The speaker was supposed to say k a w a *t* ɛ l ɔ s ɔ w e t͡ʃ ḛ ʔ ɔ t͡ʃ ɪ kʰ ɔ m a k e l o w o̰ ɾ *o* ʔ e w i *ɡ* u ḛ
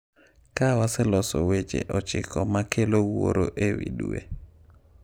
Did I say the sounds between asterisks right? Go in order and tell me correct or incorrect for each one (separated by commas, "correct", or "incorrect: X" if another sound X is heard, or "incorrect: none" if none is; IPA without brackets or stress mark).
incorrect: s, correct, incorrect: d